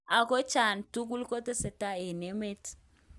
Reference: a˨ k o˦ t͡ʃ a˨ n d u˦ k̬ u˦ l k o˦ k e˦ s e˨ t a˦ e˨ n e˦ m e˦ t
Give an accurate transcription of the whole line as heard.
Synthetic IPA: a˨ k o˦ t͡ʃ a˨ n t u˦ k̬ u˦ l k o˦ t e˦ s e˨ t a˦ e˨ n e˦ m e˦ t